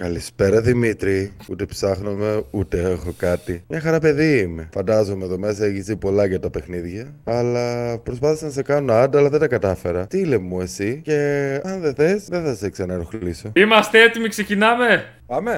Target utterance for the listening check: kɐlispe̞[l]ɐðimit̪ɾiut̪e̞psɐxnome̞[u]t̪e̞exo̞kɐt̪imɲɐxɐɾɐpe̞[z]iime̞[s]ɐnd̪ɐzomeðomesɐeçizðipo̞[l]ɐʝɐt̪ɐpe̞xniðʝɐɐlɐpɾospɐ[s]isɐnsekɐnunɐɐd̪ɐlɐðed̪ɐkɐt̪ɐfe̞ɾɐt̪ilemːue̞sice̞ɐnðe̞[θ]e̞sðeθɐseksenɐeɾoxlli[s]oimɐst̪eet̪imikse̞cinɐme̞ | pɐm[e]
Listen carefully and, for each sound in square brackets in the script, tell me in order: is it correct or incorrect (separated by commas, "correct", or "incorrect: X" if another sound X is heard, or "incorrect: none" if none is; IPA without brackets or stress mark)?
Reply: incorrect: ɾ, correct, incorrect: ð, incorrect: f, correct, incorrect: θ, correct, correct, correct